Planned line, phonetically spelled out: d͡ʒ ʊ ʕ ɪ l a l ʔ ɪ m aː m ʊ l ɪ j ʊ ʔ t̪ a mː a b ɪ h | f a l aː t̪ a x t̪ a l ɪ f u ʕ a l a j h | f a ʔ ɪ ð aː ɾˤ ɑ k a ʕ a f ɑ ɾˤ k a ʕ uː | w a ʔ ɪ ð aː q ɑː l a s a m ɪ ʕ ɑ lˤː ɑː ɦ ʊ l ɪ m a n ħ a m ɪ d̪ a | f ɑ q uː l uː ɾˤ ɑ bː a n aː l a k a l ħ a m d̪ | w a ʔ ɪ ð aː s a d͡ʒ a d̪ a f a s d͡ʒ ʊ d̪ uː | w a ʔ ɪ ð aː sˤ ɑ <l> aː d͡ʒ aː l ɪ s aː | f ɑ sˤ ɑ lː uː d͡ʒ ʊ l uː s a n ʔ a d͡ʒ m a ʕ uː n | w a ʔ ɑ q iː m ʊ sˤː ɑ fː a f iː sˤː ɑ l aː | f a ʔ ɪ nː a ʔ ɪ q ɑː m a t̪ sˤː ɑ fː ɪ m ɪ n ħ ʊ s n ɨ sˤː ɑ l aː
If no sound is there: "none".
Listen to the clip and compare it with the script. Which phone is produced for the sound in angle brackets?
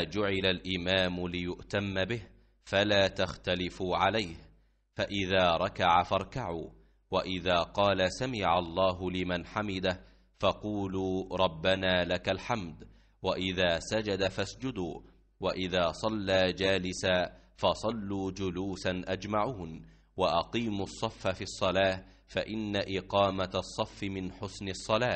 lː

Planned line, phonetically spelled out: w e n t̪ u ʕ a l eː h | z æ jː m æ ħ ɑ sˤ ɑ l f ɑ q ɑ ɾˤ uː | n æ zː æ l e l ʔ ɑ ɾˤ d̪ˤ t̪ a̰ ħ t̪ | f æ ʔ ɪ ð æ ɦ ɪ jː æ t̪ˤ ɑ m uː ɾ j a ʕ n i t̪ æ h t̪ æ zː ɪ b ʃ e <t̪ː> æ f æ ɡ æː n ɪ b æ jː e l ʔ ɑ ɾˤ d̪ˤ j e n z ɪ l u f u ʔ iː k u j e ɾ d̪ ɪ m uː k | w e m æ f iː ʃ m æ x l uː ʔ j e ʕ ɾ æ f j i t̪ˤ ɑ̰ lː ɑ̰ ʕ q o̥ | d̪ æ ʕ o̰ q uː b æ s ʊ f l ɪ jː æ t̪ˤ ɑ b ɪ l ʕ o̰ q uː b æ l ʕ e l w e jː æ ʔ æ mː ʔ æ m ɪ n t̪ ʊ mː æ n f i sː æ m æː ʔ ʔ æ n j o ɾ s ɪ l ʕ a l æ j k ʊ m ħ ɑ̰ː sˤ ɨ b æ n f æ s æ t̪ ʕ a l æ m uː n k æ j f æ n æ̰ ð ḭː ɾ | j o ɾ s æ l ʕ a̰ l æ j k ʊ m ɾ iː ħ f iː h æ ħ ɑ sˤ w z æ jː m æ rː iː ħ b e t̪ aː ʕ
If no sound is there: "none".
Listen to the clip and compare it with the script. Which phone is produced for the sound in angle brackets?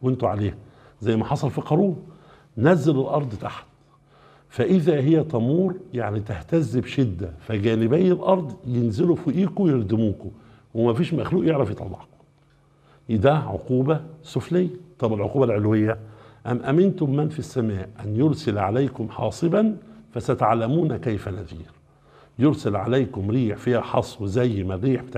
d̪ː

